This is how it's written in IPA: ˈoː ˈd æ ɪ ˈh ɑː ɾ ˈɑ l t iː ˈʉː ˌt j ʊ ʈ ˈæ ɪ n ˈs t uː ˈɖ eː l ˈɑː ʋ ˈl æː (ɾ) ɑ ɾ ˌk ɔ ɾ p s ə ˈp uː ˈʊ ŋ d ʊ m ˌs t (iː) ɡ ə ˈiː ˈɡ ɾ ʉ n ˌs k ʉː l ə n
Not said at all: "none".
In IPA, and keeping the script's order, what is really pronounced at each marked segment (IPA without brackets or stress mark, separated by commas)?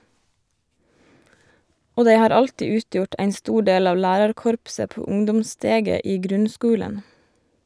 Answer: ɾ, eː